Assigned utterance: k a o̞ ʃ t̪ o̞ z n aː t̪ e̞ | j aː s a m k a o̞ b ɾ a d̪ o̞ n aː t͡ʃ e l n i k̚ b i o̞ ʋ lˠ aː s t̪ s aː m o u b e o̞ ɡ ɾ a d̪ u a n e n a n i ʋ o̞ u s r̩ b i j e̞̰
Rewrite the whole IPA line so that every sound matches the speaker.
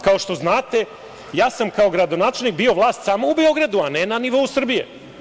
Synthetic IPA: k a o̞ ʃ t̪ o̞ z n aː t̪ e̞ | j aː s a m k a o̞ ɡ ɾ a d̪ o̞ n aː t͡ʃ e l n i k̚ b i o̞ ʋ lˠ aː s t̪ s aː m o u b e o̞ ɡ ɾ a d̪ u a n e n a n i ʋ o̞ u s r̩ b i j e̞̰